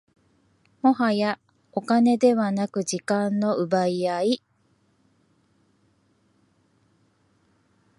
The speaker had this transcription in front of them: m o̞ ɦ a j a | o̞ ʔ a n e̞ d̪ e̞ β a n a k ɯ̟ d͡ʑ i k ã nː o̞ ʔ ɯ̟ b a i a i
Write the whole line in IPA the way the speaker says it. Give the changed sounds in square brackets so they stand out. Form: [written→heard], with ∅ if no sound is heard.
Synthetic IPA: m o̞ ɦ a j a | o̞ [ʔ→k] a n e̞ d̪ e̞ β a n a k ɯ̟ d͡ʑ i k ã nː o̞ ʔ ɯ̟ b a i a i

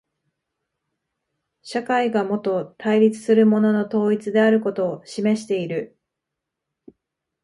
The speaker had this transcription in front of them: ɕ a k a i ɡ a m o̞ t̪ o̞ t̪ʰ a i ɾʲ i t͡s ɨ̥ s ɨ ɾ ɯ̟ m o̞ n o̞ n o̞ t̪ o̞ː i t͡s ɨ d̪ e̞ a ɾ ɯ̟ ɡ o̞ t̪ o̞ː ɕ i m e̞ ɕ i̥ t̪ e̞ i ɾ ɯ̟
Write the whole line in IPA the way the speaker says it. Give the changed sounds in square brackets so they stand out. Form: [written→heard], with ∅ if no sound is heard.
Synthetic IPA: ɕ a k a i ɡ a m o̞ t̪ o̞ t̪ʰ a i ɾʲ i t͡s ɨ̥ s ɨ ɾ ɯ̟ m o̞ n o̞ n o̞ t̪ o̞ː i t͡s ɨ d̪ e̞ a ɾ ɯ̟ [ɡ→k] o̞ t̪ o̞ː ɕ i m e̞ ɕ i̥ t̪ e̞ i ɾ ɯ̟

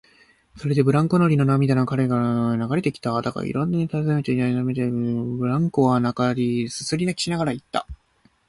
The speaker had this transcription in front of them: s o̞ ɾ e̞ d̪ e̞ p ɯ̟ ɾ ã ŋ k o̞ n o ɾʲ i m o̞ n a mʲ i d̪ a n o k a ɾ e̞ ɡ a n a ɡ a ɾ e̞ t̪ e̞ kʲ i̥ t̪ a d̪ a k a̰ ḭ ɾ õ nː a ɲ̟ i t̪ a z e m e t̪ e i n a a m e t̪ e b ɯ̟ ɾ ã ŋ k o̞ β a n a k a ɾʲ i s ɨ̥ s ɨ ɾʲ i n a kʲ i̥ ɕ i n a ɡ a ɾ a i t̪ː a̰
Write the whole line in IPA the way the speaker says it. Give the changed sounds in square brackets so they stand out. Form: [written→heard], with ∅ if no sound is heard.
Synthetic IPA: s o̞ ɾ e̞ d̪ e̞ [p→b] ɯ̟ ɾ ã ŋ k o̞ n o ɾʲ i [m→n] o̞ n a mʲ i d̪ a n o k a ɾ e̞ ɡ a n a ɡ a ɾ e̞ t̪ e̞ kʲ i̥ t̪ a d̪ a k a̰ ḭ ɾ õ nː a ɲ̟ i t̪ a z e m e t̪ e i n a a m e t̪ e b ɯ̟ ɾ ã ŋ k o̞ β a n a k a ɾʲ i s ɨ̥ s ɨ ɾʲ i n a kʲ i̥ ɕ i n a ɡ a ɾ a i t̪ː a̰

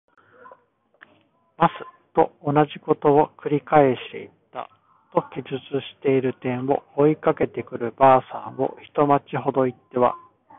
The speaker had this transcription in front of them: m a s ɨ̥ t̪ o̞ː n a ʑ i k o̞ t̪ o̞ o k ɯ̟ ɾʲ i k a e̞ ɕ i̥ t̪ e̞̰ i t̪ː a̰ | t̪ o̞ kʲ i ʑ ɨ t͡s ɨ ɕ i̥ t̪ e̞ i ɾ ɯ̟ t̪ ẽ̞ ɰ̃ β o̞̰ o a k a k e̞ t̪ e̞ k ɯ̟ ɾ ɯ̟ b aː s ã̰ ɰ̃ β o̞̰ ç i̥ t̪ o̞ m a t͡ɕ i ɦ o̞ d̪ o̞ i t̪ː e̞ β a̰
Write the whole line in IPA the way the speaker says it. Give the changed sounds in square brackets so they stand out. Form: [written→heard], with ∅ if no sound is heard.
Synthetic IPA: m a s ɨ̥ t̪ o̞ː n a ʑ i k o̞ t̪ o̞ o k ɯ̟ ɾʲ i k a e̞ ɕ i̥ t̪ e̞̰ i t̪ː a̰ | t̪ o̞ kʲ i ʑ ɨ t͡s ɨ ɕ i̥ t̪ e̞ i ɾ ɯ̟ t̪ ẽ̞ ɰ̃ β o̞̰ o [a→i] k a k e̞ t̪ e̞ k ɯ̟ ɾ ɯ̟ b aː s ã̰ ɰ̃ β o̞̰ ç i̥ t̪ o̞ m a t͡ɕ i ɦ o̞ d̪ o̞ i t̪ː e̞ β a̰

